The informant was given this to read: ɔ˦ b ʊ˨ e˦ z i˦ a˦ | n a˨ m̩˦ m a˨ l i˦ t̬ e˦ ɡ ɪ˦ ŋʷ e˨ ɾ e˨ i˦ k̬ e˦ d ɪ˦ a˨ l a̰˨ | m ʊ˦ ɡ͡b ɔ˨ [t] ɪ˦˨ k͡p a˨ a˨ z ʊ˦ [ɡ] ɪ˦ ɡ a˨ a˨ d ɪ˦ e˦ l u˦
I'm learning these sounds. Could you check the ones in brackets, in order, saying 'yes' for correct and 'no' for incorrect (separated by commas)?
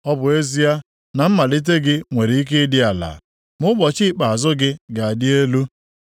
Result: no, yes